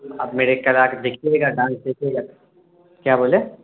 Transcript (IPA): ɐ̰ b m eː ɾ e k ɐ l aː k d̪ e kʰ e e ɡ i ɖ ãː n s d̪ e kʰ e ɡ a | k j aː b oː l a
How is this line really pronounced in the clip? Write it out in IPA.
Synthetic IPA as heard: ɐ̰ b m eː ɾ e k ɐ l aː k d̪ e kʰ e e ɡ a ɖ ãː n s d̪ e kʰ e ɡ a | k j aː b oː l e